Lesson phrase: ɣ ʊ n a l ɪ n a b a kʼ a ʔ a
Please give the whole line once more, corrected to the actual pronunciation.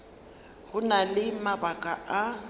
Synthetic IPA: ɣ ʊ n a l ɪ m a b a kʼ a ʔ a

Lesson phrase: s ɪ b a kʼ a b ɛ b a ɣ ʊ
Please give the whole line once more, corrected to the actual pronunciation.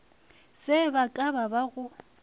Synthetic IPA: s ɪ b a kʼ a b a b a ɣ ʊ

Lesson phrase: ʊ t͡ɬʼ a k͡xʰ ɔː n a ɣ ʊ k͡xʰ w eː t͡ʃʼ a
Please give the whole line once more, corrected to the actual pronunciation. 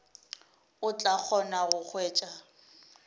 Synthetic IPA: ʊ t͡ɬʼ a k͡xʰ ɔ n a ɣ ʊ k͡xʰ w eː t͡ʃʼ a

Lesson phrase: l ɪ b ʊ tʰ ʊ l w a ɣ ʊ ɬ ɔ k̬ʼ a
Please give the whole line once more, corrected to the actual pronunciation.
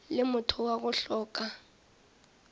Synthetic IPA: l ɪ m ʊ tʰ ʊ w a ɣ ʊ ɬ ɔː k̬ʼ a

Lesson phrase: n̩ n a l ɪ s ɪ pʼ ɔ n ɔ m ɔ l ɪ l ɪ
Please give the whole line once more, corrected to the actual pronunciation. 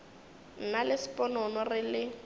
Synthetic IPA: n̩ n a l ɪ s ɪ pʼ ɔ n ɔ n ɔ r ɪ l ɪ

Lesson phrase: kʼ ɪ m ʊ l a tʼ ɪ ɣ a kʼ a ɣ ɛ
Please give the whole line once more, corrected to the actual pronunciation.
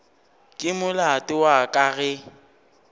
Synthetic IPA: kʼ ɪ m ʊ l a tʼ ɪ w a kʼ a ɣ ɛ

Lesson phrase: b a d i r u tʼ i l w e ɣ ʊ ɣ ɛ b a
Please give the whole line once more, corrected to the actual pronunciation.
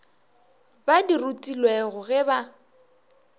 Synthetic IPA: b a d i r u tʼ i l w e ɣ ʊ ɣ ɛ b a

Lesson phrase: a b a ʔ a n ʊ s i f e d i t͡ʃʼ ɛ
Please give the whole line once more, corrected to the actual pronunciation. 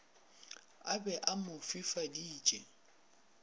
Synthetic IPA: a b ɛ ʔ a m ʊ f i f a d iː t͡ʃʼ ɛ

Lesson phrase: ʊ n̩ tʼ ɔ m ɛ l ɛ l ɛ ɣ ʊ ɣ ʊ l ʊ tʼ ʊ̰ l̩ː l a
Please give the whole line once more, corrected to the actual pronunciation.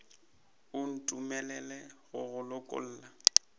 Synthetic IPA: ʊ n̩ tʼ u m ɛ l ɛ l ɛ ɣ ʊ ɣ ʊ l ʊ kʼ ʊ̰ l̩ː l a

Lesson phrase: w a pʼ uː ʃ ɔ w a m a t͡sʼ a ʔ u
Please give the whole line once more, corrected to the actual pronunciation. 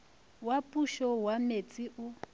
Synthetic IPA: w a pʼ u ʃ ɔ w a m e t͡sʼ i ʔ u

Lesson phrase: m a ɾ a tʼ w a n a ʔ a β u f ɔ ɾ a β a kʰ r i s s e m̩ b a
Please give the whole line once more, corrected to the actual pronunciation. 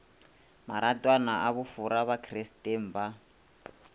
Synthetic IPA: m a ɾ a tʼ w a n a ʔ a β u f u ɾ a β a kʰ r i s t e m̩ b a

